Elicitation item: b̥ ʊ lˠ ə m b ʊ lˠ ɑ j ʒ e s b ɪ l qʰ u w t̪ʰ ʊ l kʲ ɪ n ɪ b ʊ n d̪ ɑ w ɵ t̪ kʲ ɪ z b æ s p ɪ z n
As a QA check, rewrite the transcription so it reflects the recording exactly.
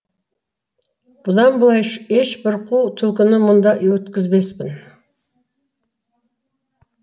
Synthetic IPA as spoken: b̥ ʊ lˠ ɑ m b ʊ lˠ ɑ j ʃ e ʃ b ɪ ɾ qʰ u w t̪ʰ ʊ l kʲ ɪ n ɪ m ʊ n d̪ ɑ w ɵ t̪ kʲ ɪ z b e s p ɪ n